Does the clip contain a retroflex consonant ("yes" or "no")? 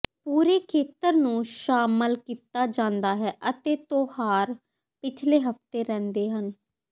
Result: no